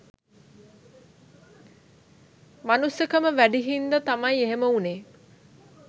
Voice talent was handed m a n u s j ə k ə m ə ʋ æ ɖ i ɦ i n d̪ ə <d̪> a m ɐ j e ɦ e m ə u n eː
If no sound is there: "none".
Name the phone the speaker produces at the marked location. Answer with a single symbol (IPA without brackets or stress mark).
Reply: t̪